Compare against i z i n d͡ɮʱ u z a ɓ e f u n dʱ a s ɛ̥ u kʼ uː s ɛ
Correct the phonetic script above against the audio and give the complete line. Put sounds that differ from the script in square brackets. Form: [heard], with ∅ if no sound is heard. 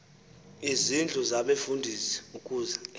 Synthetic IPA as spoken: i z i n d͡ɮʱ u z a ɓ e f u n dʱ [i] s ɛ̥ u kʼ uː [z] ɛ